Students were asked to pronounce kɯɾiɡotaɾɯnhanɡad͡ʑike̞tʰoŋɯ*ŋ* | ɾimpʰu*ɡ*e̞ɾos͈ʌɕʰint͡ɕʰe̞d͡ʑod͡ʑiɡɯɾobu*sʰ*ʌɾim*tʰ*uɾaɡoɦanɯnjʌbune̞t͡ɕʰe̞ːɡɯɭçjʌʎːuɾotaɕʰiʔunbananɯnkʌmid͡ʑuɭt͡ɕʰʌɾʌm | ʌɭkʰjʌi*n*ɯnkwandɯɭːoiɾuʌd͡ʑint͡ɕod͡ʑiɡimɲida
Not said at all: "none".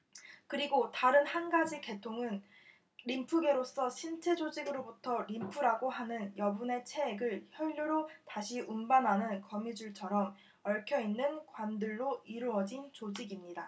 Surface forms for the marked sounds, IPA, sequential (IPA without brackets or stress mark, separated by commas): n, ɡ, tʰ, pʰ, nː